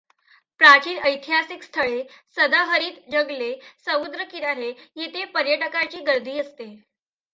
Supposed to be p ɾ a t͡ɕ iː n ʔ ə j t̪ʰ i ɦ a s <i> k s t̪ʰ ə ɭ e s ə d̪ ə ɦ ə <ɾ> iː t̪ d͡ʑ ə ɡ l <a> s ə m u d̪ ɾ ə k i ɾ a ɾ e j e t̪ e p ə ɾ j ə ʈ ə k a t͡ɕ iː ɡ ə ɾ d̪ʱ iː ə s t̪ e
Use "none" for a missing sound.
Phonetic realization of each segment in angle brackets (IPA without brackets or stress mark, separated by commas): i, ɾ, e